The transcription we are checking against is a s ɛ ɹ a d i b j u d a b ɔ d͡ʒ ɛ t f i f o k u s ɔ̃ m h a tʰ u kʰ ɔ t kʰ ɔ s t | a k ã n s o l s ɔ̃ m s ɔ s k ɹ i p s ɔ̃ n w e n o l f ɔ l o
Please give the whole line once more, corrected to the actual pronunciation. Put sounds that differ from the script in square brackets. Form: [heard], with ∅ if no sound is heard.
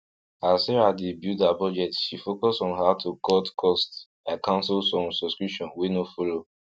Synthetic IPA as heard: a s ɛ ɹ a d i b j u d a b ɔ d͡ʒ ɛ t [ʃ] i f o k [ɔ] s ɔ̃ [n] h a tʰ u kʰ ɔ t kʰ ɔ s t | a k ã n s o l s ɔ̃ m s ɔ s k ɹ i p [ʃ] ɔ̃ n w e n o [∅] f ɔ l o